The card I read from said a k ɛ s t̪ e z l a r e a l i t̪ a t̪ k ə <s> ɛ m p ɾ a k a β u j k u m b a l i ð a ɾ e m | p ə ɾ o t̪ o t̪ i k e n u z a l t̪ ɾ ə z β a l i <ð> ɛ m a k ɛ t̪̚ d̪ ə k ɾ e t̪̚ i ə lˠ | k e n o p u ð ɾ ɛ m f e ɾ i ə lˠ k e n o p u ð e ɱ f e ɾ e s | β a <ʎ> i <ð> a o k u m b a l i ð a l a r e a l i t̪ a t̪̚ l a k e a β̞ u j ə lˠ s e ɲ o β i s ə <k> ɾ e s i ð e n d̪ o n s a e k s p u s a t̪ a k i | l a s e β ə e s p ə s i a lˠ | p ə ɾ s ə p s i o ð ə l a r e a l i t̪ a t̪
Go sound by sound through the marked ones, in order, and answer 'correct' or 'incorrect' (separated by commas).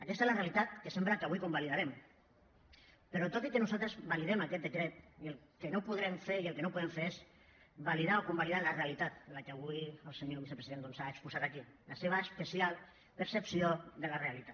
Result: correct, correct, incorrect, correct, incorrect